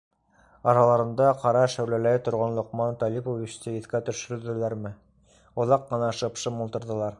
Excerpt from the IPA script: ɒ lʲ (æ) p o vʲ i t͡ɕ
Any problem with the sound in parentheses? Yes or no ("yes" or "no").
yes